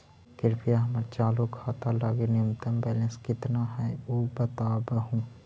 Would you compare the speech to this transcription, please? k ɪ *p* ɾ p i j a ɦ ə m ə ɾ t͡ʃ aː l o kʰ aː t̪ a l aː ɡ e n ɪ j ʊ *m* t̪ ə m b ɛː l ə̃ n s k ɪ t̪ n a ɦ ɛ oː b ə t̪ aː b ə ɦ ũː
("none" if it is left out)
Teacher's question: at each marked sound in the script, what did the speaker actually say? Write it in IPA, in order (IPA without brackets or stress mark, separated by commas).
none, m